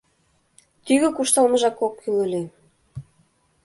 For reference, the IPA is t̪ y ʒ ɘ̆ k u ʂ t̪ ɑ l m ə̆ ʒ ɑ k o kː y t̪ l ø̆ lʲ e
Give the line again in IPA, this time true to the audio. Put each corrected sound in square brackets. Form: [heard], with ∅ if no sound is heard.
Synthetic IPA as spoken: t̪ y [ɣ] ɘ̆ k u [ʃ] t̪ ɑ l m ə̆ ʒ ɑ k o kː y [∅] l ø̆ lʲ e